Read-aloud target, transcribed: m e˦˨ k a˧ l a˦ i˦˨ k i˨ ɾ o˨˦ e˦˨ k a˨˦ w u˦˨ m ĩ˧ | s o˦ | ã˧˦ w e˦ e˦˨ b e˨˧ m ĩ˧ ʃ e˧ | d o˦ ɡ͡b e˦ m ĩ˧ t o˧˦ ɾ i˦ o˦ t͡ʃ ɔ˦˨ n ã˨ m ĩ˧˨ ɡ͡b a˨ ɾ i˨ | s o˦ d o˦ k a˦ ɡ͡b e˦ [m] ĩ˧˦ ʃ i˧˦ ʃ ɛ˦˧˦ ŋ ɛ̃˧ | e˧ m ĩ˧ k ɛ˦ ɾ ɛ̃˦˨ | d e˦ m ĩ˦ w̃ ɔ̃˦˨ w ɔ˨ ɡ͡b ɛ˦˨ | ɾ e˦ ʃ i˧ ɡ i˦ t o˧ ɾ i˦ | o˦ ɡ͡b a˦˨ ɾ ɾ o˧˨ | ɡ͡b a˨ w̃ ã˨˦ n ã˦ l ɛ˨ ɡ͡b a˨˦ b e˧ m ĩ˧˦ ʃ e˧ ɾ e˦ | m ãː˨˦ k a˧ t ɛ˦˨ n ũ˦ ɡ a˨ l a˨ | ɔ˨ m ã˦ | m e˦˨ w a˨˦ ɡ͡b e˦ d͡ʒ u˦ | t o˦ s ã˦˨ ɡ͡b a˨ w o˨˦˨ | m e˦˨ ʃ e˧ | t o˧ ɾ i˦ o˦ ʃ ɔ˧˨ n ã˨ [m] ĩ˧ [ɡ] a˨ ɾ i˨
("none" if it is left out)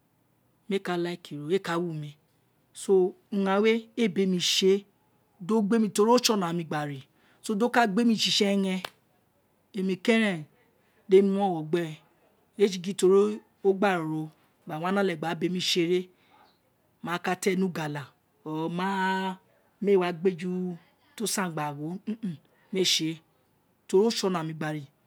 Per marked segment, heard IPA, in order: m, m, ɡ͡b

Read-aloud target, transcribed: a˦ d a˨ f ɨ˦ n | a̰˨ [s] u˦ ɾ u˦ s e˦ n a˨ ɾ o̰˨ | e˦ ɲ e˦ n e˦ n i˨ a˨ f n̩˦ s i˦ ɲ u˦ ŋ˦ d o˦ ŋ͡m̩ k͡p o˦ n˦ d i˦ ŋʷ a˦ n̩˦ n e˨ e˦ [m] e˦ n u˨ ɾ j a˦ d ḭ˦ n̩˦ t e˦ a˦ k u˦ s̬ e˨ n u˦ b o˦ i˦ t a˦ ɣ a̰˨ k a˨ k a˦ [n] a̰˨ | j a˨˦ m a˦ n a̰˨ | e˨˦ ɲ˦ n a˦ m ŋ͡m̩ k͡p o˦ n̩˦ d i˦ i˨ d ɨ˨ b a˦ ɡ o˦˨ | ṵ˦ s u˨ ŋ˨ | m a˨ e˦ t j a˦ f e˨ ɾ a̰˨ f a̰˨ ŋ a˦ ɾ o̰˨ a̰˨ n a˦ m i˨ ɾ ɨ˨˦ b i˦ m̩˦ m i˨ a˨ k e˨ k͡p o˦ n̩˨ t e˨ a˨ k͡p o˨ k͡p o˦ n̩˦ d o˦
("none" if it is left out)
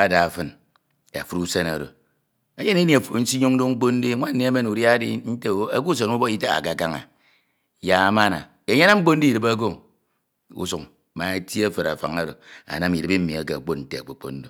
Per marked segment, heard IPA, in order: f, m, ŋ

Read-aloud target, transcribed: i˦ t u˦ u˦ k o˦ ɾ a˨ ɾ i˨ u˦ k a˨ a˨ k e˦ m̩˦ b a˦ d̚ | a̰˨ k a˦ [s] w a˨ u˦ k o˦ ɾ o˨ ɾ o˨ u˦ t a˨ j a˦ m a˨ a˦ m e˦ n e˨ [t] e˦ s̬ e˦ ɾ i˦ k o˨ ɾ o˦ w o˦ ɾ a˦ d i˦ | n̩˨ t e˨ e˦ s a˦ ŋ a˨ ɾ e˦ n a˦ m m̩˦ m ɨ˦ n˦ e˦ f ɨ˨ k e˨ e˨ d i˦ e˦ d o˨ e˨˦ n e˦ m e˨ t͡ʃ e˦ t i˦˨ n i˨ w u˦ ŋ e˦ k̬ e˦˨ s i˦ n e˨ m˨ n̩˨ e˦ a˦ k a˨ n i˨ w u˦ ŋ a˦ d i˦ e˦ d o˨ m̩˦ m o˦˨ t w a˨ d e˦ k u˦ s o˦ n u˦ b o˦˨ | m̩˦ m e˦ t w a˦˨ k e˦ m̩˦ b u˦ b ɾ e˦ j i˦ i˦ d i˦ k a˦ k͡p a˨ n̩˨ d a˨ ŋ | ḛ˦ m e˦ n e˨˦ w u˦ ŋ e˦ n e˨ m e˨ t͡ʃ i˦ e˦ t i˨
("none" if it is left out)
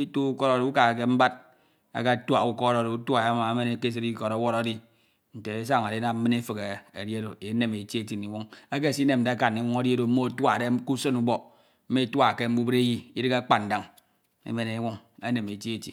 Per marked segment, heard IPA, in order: t, k

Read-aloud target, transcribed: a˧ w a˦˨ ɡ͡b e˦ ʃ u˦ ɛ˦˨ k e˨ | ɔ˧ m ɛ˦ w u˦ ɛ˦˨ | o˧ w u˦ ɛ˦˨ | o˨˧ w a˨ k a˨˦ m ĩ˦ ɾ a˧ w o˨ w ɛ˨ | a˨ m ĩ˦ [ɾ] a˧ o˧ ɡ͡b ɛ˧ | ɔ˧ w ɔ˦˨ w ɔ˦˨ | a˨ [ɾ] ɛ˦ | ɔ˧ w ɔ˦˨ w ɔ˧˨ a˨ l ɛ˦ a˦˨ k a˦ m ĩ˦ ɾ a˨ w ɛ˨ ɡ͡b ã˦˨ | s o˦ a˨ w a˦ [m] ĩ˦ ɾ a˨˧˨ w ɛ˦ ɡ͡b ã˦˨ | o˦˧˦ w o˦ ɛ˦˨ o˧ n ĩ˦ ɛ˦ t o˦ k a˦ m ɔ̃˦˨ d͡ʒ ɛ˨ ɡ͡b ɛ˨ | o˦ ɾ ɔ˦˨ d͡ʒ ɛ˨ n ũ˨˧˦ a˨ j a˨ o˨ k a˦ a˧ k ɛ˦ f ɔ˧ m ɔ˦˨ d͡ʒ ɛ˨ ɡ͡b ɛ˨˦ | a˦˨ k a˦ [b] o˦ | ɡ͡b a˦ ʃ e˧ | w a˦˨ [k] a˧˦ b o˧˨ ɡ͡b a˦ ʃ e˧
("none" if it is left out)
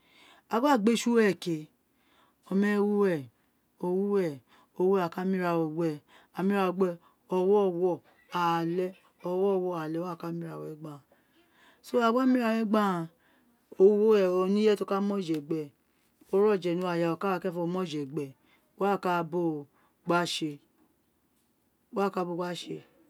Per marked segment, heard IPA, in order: ɾ, l, m, b, k

